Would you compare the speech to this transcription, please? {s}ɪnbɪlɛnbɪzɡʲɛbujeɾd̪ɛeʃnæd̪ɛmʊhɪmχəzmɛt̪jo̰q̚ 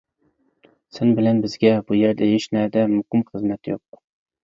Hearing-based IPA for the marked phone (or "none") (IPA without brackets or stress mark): s